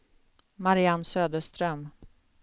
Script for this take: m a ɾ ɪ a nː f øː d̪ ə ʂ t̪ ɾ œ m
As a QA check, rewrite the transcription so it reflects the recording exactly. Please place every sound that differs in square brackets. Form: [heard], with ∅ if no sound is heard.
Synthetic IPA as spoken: m a ɾ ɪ a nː [s] øː d̪ ə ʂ t̪ ɾ œ m

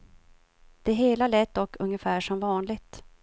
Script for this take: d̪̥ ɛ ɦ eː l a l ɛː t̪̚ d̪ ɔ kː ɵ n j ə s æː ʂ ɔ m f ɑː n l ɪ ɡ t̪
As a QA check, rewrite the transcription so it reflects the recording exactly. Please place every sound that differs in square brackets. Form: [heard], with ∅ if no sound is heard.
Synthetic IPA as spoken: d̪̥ ɛ ɦ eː l a l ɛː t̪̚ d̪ ɔ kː ɵ [ŋ] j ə [f] æː ʂ ɔ m [v] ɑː n l ɪ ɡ t̪

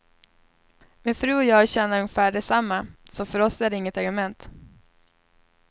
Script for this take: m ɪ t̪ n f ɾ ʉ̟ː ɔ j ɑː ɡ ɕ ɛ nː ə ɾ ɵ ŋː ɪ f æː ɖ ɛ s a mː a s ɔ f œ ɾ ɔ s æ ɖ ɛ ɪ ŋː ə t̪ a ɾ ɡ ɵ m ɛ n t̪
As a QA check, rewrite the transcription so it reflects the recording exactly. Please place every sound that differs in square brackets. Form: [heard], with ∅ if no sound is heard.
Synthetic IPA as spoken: m ɪ [∅] n f ɾ ʉ̟ː ɔ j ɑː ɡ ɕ ɛ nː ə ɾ ɵ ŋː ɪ f æː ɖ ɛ s a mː a s ɔ f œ ɾ ɔ s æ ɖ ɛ ɪ ŋː ə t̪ a ɾ ɡ ɵ m ɛ n t̪

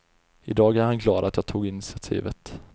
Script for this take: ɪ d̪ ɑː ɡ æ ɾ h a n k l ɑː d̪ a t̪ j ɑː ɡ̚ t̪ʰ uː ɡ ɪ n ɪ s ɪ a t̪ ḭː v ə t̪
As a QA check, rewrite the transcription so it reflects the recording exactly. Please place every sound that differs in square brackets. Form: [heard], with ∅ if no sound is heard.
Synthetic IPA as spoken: ɪ d̪ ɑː ɡ æ ɾ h a n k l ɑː d̪ a t̪ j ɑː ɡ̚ t̪ʰ uː ɡ ɪ n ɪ s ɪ a [t̪ʰ] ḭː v ə t̪

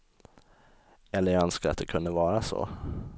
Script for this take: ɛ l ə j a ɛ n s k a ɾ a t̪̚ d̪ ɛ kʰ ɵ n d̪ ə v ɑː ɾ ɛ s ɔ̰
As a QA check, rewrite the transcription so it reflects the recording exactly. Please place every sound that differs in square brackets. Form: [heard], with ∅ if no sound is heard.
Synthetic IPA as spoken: ɛ [lː] ə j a [œ] n s k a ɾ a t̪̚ d̪ ɛ kʰ ɵ n d̪ ə v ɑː ɾ [a] s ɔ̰

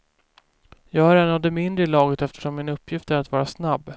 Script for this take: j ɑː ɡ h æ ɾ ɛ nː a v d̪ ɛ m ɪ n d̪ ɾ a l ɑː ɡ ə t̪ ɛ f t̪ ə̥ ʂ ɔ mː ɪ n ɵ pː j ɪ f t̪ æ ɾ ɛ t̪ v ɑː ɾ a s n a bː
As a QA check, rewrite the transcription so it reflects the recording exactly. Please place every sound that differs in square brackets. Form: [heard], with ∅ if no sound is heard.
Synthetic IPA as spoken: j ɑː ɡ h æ ɾ ɛ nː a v d̪ ɛ m ɪ n d̪ ɾ [ə] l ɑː ɡ ə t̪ ɛ f t̪ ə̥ ʂ ɔ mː ɪ n ɵ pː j ɪ f t̪ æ ɾ [a] t̪ v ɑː ɾ a s n a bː

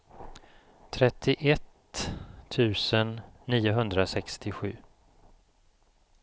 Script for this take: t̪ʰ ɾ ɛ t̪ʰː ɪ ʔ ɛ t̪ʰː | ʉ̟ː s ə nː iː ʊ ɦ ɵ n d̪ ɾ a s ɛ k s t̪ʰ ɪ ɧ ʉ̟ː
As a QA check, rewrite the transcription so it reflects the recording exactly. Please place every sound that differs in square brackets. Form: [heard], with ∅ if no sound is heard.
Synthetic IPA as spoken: t̪ʰ ɾ ɛ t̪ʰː ɪ ʔ ɛ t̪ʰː | ʉ̟ː s ə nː iː ʊ ɦ ɵ n d̪ ɾ a s ɛ k s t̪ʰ ɪ ɧ ʉ̟ː

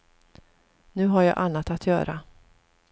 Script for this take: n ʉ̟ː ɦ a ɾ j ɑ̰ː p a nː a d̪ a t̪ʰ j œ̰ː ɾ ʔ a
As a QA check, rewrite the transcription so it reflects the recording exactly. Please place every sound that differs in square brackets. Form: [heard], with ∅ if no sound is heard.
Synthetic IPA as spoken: n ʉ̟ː ɦ a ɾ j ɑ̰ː [ʔ] a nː a [t̪] a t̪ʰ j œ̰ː ɾ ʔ a

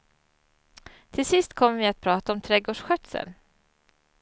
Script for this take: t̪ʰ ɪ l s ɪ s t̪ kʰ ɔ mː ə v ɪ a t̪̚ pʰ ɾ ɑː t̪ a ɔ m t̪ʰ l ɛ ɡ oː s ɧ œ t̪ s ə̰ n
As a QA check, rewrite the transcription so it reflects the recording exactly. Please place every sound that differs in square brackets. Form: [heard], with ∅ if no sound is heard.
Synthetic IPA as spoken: t̪ʰ ɪ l s ɪ s t̪ kʰ ɔ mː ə v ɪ a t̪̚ pʰ ɾ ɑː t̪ a ɔ m t̪ʰ [ɾ] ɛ ɡ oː [ʂ] ɧ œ t̪ s ə̰ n

